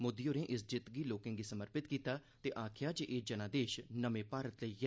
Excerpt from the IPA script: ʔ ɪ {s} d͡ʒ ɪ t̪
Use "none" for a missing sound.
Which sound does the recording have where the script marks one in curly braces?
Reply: s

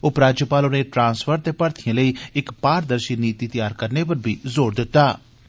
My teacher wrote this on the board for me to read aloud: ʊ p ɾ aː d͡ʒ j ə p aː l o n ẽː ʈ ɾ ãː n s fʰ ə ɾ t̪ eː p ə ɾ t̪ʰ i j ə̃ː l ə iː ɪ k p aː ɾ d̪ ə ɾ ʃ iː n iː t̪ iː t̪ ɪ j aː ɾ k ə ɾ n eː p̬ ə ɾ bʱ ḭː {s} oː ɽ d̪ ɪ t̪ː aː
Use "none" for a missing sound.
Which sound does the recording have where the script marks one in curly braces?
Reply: z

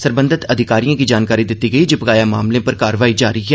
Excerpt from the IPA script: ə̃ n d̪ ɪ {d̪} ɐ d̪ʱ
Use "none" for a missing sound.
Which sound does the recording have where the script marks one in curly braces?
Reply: t̪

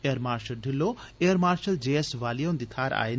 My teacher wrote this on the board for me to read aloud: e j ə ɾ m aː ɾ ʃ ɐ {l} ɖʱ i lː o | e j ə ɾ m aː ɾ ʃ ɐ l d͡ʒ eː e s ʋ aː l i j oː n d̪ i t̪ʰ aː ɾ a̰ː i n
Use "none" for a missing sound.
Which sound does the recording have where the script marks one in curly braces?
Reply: l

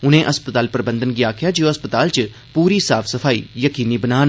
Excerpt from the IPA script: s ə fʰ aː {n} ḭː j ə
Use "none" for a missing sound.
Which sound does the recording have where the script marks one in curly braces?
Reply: none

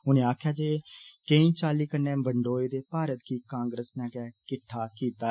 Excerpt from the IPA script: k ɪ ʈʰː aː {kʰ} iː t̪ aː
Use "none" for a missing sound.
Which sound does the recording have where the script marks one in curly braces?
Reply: k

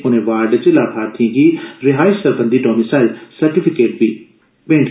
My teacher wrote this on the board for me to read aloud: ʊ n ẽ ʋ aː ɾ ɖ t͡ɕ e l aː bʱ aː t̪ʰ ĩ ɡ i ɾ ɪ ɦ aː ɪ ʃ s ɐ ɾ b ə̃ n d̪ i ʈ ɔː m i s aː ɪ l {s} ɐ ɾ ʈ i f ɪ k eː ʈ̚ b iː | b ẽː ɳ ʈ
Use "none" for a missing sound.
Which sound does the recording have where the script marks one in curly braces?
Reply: s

